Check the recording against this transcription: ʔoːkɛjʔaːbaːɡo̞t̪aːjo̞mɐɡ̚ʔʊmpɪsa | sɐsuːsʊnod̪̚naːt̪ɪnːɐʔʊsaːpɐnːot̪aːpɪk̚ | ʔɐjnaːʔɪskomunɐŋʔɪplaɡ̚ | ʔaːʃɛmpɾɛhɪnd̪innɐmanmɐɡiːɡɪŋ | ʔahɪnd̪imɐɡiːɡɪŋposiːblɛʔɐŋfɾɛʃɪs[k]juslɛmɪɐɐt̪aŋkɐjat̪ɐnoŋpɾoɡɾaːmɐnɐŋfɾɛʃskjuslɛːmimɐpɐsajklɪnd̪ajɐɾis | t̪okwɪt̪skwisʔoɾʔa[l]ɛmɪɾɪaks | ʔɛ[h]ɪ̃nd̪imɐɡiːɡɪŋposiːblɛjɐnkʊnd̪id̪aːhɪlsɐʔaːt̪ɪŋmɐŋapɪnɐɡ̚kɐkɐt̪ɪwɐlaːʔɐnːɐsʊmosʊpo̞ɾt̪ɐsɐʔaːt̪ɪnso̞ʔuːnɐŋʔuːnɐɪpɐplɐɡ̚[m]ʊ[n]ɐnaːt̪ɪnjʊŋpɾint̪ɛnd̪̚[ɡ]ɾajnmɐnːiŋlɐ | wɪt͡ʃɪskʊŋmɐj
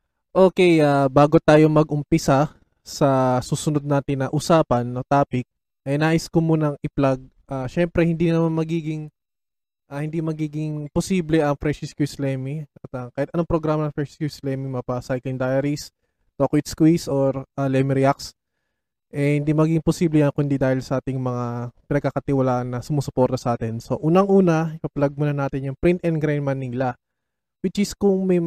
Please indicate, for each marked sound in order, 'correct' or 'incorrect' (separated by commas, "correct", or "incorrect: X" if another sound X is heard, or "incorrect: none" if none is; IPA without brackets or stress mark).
correct, correct, correct, correct, correct, correct